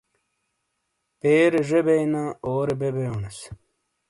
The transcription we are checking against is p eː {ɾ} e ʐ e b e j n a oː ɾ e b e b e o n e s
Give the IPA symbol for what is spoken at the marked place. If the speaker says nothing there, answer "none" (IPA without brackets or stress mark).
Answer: ɾ